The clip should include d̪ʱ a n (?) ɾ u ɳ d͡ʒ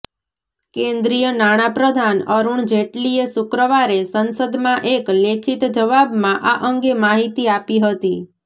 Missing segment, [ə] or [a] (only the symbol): ə